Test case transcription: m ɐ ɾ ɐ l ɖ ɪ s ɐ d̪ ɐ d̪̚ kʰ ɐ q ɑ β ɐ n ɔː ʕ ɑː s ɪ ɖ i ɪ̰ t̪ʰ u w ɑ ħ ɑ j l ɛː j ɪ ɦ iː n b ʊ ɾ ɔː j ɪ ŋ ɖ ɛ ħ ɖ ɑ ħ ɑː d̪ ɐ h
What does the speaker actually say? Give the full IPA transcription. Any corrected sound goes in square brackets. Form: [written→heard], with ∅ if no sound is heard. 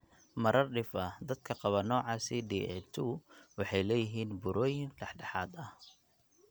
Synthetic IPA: m ɐ ɾ ɐ [l→r] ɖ ɪ [s→f] ɐ d̪ ɐ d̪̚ kʰ ɐ q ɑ β ɐ n ɔː ʕ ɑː s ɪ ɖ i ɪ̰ t̪ʰ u w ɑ ħ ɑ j l ɛː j ɪ ɦ iː n b ʊ ɾ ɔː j ɪ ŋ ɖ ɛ ħ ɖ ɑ ħ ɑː d̪ ɐ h